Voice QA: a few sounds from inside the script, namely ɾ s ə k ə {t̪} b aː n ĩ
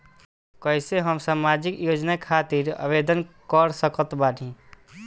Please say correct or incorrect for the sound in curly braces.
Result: correct